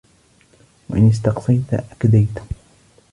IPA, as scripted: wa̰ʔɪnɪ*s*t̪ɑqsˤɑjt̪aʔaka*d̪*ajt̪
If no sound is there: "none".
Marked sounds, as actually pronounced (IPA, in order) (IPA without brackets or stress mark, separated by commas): s, d̪